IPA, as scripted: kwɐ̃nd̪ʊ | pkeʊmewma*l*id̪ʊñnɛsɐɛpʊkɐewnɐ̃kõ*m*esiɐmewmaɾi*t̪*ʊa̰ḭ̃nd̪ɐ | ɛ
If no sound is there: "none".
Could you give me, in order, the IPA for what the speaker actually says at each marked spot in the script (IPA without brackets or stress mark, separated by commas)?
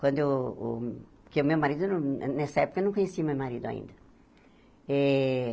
ɾ, ɲ, d̪